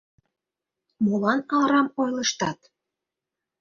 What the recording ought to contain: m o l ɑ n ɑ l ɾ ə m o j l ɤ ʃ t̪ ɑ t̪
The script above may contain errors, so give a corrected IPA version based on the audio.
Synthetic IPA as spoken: m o l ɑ n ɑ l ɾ ɑ m o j l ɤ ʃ t̪ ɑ t̪